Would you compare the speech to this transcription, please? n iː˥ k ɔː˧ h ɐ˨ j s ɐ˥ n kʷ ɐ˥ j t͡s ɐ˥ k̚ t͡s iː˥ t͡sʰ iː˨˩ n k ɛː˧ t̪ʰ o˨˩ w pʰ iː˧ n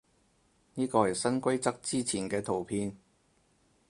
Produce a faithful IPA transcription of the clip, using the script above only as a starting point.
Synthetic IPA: n iː˥ k ɔː˧ h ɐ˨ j s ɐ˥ n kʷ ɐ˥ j t͡s ɐ˥ k̚ t͡s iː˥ t͡sʰ iː˨˩ n k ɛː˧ t̪ʰ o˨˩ w pʰ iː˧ n

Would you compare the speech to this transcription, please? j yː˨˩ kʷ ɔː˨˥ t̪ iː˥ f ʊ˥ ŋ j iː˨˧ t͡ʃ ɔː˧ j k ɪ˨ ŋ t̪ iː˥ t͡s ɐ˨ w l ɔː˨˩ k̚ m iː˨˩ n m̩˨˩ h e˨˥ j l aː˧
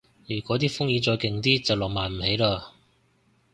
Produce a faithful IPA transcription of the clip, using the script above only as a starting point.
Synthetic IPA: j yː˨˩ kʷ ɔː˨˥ t̪ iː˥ f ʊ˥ ŋ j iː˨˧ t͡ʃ ɔː˧ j k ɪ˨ ŋ t̪ iː˥ t͡s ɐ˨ w l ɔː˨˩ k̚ m aː˨˩ n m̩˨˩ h e˨˥ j l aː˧

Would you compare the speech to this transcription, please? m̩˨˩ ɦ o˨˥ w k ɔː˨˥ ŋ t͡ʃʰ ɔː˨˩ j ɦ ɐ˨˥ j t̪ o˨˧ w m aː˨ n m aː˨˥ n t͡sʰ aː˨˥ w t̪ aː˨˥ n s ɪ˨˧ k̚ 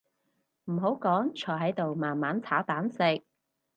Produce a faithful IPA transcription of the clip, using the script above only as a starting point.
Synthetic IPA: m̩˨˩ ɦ o˨˥ w k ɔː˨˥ ŋ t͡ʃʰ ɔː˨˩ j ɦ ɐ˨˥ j t̪ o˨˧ w m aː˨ n m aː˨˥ n t͡sʰ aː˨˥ w t̪ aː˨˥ n s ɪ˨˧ k̚

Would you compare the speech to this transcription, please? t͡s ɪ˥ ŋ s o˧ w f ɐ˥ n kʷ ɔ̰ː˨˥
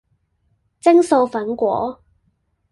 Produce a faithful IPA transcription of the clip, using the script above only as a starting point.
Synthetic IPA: t͡s ɪ˥ ŋ s o˧ w f ɐ˨˥ n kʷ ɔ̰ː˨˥

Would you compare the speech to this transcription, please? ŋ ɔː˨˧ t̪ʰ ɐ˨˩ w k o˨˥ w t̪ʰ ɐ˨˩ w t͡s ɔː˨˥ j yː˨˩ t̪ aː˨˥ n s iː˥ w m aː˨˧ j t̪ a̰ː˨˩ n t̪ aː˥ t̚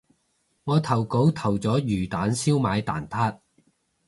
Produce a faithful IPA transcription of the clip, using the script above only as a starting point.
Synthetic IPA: ŋ ɔː˨˧ t̪ʰ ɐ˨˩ w k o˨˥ w t̪ʰ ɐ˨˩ w t͡s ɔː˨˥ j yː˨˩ t̪ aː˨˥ n s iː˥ w m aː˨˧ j t̪ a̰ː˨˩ n t̪ʰ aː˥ t̚

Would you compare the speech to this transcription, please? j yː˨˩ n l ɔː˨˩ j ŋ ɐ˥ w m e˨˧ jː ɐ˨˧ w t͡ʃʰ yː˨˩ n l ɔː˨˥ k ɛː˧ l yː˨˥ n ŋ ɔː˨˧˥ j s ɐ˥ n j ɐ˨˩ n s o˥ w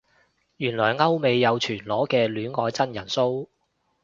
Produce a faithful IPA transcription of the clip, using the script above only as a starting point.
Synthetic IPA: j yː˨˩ n l ɔː˨˩ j ŋ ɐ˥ w m e˨˧ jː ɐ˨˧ w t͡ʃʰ yː˨˩ n l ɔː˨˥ k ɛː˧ l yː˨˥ n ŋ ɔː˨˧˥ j t͡s ɐ˥ n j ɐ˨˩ n s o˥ w

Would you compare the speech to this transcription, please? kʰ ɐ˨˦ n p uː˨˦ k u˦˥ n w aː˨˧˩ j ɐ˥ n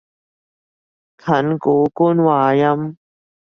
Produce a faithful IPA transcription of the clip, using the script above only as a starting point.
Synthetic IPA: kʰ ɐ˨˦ n k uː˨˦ k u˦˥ n w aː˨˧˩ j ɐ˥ m

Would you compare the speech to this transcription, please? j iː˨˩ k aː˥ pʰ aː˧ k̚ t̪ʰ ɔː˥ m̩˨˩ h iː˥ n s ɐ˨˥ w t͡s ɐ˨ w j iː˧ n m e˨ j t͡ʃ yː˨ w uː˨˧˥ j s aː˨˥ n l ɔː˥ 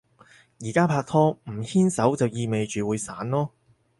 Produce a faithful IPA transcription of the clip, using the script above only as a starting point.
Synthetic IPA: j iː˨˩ k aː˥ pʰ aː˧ k̚ t̪ʰ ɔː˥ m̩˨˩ h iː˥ n s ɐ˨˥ w t͡s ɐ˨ w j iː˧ m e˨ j t͡ʃ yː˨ w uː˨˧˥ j s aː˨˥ n l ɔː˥

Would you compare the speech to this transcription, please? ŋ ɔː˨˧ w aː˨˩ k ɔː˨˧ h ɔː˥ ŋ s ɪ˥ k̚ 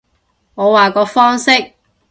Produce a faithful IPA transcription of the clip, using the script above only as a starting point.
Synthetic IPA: ŋ ɔː˨˧ w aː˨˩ k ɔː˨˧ f ɔː˥ ŋ s ɪ˥ k̚

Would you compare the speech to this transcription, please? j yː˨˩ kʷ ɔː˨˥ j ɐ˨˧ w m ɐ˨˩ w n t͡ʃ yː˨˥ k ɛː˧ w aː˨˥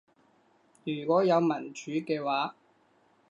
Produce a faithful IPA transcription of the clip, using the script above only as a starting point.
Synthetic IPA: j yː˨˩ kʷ ɔː˨˥ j ɐ˨˧ w m ɐ˨˩ n t͡ʃ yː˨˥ k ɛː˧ w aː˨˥

